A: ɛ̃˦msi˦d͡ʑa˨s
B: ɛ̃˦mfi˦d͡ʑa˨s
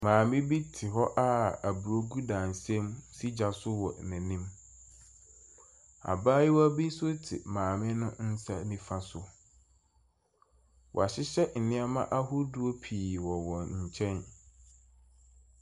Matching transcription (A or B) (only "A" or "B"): A